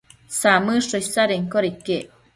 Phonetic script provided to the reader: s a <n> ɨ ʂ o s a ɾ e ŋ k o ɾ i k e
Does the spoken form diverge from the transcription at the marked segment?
yes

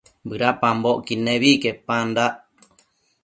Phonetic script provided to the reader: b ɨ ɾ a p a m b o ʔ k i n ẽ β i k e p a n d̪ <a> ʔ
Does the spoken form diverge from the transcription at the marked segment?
no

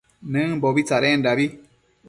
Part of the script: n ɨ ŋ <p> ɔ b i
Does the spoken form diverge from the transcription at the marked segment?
yes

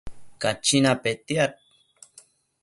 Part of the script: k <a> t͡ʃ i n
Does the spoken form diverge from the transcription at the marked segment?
no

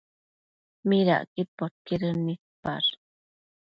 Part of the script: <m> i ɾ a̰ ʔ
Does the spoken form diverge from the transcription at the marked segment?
no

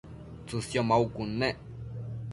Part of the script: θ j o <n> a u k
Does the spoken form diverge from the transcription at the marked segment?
yes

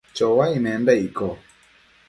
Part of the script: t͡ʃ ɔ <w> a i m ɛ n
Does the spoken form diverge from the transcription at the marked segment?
no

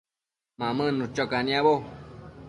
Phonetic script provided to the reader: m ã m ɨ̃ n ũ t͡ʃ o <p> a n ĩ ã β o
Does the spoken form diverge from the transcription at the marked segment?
yes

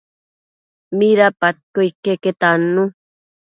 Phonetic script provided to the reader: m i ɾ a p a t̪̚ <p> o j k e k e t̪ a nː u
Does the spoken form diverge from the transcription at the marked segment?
yes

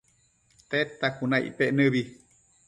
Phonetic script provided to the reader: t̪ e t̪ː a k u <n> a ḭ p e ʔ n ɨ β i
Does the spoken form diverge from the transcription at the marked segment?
no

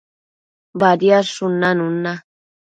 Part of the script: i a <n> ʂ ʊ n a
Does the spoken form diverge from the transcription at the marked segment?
yes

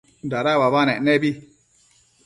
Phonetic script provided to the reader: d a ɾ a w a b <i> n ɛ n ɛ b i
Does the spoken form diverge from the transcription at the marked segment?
yes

